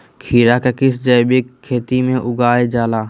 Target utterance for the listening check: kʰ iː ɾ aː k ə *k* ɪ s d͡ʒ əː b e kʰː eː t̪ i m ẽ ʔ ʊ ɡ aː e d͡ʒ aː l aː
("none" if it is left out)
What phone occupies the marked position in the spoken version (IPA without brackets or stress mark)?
k